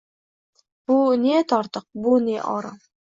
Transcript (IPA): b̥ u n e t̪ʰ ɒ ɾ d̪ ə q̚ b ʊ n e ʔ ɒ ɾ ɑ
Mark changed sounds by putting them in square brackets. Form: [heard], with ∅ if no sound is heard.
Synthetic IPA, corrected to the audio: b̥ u n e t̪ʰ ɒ ɾ [t̪] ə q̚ b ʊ n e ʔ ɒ ɾ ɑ